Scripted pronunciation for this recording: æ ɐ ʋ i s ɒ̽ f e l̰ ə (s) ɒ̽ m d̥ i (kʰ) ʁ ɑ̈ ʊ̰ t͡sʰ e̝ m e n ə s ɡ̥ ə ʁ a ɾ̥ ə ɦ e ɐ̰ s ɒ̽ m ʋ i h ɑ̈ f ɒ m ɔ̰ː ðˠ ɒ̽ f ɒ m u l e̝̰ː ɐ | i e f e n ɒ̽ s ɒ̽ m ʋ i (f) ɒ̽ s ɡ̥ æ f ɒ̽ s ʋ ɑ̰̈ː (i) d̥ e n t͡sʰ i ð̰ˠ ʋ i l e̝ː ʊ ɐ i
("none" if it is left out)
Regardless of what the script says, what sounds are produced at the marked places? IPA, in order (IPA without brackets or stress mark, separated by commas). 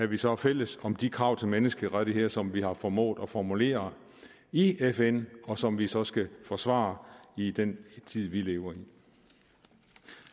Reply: s, kʰ, s, i